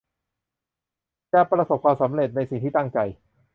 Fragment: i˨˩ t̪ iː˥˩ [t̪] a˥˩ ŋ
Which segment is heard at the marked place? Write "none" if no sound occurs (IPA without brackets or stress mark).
t̪